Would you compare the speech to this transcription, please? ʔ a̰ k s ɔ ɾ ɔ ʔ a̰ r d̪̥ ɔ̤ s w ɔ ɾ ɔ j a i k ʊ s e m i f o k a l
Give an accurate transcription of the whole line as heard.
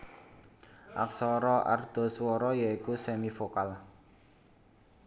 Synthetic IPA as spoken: ʔ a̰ k s ɔ ɾ ɔ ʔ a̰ r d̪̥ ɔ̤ s w ɔ ɾ ɔ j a i k u s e m i f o k a l